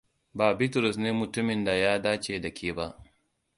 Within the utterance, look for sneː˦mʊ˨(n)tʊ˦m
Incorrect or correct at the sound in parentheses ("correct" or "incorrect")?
incorrect